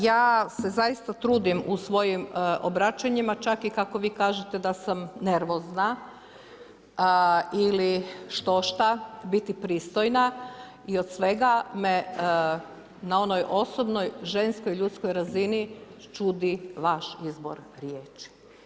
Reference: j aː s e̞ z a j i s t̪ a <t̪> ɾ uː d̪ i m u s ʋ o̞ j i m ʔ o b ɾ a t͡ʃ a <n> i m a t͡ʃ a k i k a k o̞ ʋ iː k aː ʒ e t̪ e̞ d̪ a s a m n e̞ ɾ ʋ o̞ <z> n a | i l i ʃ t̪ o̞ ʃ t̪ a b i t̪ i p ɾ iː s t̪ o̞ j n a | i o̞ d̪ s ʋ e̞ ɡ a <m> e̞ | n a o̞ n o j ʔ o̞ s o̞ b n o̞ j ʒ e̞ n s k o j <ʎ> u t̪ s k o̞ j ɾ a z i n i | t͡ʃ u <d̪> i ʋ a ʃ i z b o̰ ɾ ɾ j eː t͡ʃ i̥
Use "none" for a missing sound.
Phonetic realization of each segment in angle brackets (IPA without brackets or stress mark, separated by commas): t̪, ɲ, z, m, ʎ, d̪